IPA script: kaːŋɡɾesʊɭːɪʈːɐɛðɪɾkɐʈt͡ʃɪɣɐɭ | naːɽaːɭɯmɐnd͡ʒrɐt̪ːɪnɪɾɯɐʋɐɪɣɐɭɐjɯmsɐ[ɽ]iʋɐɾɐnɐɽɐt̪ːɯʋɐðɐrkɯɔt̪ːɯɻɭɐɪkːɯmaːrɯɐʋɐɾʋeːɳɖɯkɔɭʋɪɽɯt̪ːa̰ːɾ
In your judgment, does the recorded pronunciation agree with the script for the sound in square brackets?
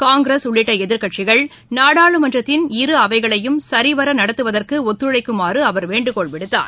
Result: no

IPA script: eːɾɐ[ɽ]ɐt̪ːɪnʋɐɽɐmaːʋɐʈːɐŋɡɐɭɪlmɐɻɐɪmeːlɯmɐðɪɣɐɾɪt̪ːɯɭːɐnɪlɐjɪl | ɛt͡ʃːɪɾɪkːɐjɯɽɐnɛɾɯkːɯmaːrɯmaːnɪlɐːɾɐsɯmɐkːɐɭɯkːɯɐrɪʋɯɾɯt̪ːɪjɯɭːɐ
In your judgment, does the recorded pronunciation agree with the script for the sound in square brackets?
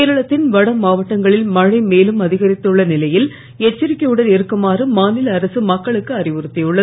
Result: no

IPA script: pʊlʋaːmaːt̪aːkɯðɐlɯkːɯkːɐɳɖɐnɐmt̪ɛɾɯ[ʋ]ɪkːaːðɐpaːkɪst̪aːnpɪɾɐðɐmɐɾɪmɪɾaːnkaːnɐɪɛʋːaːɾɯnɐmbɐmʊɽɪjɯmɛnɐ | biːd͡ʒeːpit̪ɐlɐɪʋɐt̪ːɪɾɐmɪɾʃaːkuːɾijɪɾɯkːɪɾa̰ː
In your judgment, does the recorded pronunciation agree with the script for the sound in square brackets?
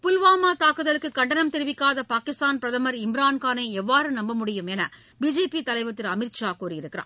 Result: yes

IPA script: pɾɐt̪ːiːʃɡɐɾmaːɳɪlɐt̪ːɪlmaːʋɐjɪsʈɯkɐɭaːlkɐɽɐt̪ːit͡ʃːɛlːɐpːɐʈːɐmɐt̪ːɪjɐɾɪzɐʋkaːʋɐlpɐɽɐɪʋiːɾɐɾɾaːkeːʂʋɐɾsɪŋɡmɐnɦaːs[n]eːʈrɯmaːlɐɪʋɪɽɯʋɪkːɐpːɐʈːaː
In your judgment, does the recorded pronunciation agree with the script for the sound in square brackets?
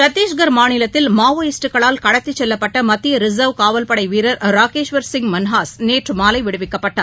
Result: yes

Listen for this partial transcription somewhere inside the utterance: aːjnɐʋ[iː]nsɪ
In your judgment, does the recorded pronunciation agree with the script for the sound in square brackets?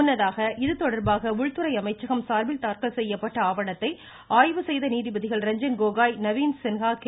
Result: yes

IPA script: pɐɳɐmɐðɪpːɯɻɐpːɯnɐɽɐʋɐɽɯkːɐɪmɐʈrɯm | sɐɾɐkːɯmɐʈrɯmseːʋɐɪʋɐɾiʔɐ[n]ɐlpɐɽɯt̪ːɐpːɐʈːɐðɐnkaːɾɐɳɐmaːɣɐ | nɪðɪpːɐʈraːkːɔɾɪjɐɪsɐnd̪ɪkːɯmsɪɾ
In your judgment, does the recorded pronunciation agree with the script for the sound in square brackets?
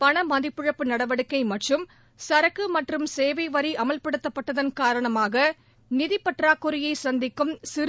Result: no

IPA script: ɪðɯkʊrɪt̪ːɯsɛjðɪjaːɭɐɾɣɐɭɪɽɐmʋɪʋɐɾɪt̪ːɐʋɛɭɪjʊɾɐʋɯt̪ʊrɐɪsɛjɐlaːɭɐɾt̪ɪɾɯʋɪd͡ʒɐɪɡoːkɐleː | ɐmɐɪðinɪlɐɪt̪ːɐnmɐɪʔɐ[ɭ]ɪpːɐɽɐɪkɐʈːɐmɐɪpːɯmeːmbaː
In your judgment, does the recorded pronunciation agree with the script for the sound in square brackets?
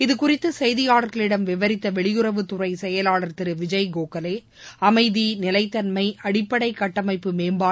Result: no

